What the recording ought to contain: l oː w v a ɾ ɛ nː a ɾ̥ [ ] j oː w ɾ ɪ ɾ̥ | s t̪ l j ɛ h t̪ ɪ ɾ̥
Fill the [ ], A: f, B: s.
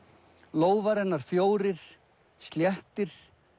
A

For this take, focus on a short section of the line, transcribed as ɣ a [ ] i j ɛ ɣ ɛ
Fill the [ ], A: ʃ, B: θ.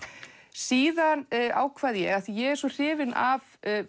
B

